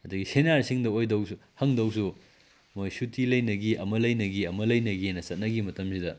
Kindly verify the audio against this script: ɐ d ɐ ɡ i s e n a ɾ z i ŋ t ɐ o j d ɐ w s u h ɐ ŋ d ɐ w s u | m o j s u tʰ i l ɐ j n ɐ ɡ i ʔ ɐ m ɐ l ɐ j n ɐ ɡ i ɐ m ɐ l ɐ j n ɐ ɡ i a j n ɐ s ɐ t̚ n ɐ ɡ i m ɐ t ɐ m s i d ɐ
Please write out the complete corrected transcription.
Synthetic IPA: ɐ d ɐ ɡ i s e n a ɾ s i ŋ d ɐ o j d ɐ w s u h ɐ ŋ d ɐ w s u | m o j s u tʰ i l ɐ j n ɐ ɡ i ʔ ɐ m ɐ l ɐ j n ɐ ɡ i ɐ m ɐ l ɐ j n ɐ ɡ i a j n ɐ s ɐ t̚ n ɐ ɡ i m ɐ t ɐ m s i d ɐ